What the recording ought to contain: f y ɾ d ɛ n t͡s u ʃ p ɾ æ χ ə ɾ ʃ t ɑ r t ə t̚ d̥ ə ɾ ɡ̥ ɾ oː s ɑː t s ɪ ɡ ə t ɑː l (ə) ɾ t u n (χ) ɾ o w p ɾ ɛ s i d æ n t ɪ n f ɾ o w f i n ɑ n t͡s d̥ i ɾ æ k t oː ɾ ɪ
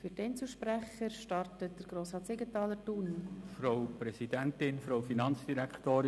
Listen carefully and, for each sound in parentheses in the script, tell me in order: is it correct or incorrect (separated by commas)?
correct, incorrect